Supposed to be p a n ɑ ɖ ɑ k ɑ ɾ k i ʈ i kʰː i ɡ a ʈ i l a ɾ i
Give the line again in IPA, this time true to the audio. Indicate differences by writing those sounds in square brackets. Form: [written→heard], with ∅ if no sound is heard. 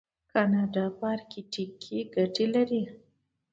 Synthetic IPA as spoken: [p→k] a n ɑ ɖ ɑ [k→p] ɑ ɾ k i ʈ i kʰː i ɡ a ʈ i l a ɾ i